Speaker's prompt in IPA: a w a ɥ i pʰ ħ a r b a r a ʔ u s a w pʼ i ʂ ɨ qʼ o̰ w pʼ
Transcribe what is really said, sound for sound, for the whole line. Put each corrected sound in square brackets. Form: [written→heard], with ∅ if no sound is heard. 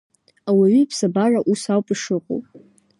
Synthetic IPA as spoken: a w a ɥ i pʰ [ħ→s] a [r→∅] b a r a ʔ u s a w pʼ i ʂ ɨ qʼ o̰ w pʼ